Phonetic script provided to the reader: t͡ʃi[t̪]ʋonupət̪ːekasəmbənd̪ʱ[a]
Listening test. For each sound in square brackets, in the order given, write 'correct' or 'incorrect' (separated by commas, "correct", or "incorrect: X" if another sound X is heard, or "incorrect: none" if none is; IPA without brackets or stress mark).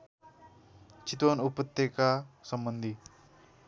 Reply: correct, incorrect: i